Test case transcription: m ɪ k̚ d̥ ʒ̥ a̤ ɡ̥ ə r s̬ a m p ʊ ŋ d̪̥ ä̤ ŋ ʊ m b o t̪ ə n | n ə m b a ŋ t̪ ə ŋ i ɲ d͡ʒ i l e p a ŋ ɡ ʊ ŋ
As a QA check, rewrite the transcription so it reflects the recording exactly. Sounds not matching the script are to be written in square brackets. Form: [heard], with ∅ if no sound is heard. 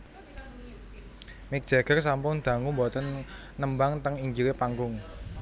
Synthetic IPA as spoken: m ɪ k̚ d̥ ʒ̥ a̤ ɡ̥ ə r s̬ a m p ʊ ŋ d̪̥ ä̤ ŋ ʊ m b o t̪ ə n | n ə m b a ŋ t̪ ə ŋ i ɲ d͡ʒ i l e p a ŋ ɡ ʊ ŋ